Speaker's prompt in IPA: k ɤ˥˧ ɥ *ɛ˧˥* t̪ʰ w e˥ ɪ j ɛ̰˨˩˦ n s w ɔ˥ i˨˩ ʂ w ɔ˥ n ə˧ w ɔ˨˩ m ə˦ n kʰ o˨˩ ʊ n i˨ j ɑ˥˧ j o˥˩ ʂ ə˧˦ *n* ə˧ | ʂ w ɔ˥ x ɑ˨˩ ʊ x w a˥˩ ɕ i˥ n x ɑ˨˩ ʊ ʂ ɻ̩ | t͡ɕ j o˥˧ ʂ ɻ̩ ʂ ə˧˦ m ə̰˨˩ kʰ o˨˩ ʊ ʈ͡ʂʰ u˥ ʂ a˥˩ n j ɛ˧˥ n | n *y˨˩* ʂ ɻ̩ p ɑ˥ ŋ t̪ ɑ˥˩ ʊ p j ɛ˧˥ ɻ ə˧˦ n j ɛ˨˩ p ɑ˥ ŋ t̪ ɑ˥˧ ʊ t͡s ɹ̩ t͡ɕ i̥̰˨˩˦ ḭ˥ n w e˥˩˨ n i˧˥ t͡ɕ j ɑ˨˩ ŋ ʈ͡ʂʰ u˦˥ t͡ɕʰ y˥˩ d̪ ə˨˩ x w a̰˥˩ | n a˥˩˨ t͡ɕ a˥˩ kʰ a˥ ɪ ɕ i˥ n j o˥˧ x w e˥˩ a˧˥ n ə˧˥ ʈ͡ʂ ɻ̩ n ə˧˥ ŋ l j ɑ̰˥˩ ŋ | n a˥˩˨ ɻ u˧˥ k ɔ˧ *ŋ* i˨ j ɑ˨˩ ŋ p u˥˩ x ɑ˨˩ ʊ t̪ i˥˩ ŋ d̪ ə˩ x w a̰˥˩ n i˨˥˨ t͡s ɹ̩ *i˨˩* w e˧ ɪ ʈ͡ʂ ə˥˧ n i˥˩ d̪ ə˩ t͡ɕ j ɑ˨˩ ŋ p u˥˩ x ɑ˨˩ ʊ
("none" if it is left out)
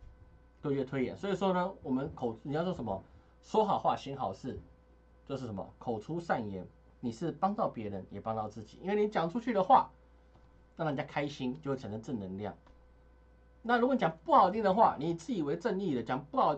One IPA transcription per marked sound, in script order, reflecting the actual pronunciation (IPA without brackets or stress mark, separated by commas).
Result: ɛ˥˩, m, i˨˩, n, i˨˩